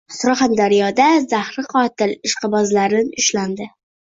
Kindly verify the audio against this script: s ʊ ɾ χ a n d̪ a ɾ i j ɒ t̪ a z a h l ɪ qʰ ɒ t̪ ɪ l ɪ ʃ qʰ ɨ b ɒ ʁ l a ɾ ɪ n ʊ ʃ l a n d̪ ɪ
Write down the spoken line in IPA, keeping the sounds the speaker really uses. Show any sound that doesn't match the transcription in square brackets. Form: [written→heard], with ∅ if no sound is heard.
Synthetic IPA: s ʊ ɾ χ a n d̪ a ɾ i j ɒ [t̪→d̪] a z a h [l→ɾ] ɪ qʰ ɒ t̪ ɪ l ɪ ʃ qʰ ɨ b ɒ [ʁ→z] l a ɾ ɪ n ʊ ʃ l a n d̪ ɪ